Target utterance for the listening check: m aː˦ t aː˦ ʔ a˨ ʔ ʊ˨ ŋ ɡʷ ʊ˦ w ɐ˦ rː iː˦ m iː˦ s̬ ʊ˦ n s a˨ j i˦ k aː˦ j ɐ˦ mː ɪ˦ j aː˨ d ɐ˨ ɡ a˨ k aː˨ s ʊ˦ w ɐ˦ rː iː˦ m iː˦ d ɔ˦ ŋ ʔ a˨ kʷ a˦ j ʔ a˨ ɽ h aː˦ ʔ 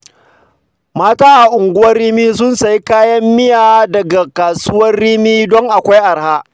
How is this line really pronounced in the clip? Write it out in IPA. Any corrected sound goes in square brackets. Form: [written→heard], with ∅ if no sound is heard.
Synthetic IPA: m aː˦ t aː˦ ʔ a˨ ʔ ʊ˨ ŋ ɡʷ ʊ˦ w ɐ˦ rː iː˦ m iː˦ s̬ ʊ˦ n s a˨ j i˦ k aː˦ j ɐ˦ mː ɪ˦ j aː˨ d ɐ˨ ɡ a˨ k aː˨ s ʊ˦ w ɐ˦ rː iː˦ m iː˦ d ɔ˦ ŋ ʔ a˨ kʷ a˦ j ʔ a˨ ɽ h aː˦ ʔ